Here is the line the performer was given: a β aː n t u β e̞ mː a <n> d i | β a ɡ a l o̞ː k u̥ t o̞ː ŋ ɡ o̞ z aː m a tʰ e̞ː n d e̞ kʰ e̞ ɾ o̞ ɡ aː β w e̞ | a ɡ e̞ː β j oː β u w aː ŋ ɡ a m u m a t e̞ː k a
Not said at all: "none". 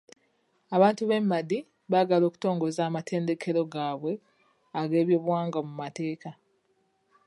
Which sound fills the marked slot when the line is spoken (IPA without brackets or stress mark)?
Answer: none